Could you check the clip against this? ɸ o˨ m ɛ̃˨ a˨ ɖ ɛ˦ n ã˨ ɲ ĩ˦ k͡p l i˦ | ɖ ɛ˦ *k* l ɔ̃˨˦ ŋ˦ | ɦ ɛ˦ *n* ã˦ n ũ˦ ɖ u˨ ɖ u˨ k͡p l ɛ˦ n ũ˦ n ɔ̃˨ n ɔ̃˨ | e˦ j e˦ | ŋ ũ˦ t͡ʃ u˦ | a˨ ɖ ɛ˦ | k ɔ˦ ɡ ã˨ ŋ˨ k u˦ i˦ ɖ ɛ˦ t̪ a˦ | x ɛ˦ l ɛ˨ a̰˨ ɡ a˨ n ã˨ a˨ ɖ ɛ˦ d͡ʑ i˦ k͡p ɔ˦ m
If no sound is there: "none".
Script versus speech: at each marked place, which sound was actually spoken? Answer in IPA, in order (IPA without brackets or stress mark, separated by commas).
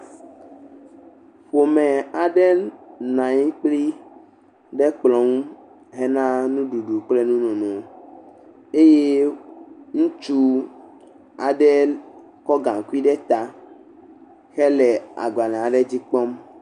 k͡p, n